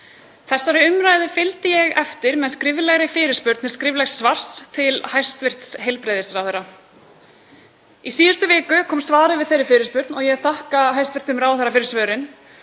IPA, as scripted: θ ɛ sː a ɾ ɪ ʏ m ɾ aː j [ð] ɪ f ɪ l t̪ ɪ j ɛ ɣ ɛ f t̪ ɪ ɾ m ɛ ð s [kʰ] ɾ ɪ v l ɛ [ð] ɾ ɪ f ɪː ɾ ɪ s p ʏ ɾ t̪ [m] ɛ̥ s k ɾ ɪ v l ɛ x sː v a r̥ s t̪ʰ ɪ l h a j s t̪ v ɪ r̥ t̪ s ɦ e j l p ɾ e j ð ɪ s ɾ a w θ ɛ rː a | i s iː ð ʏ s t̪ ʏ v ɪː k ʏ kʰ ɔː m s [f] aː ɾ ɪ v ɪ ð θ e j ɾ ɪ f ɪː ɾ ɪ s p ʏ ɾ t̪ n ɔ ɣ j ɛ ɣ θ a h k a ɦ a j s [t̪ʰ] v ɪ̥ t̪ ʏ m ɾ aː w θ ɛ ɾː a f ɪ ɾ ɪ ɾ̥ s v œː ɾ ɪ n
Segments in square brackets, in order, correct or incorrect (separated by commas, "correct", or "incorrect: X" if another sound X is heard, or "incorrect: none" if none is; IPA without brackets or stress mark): correct, incorrect: k, incorrect: ɣ, incorrect: n, incorrect: v, incorrect: t̪